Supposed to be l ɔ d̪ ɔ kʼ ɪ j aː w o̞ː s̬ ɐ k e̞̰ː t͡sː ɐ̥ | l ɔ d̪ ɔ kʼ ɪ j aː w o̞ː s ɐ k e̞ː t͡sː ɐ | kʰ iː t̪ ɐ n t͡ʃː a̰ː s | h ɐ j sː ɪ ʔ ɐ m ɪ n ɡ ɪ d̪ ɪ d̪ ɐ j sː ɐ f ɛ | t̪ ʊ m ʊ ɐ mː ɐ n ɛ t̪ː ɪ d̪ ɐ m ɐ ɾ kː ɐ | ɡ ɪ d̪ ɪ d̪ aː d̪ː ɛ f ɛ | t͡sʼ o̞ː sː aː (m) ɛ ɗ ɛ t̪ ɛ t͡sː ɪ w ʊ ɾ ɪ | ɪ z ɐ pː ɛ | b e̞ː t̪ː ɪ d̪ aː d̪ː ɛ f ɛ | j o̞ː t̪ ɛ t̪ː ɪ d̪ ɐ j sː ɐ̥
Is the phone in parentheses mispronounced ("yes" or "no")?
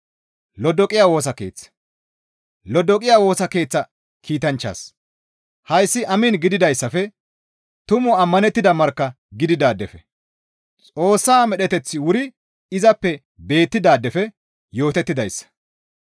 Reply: no